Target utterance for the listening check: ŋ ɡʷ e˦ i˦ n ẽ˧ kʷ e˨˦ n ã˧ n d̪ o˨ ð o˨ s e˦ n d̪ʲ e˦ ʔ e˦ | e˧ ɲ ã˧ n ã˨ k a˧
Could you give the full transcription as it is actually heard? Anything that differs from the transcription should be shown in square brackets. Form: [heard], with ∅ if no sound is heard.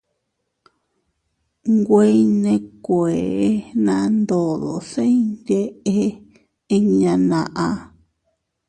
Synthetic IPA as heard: ŋ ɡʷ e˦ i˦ n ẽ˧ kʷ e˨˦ n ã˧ n d̪ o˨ ð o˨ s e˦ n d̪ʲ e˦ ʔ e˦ | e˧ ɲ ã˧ n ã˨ [ʔ] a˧